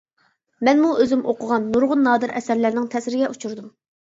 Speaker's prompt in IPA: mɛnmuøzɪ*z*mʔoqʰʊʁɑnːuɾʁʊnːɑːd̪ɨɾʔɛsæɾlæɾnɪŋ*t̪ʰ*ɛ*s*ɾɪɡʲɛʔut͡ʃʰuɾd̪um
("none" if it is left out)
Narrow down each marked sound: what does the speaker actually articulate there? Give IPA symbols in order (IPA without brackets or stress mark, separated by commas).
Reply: none, t̪ʰ, s